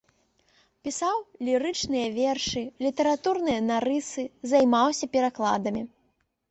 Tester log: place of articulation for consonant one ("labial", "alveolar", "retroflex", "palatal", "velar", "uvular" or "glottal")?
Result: labial